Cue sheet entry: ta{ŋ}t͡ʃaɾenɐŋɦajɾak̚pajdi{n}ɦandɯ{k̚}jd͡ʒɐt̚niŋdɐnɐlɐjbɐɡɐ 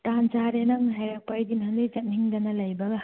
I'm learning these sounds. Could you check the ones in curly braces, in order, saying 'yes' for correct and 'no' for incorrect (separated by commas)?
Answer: no, yes, no